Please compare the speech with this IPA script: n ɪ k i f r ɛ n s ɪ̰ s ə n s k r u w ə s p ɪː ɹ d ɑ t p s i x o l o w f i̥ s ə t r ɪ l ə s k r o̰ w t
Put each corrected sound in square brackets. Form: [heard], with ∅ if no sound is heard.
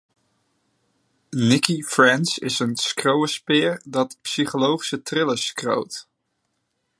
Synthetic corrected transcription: n ɪ k i f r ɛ n s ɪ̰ s ə n s k r [o] w ə s p ɪː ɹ d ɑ t p s i [χ] o l o w [χ] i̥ s ə t r ɪ l ə s k r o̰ w t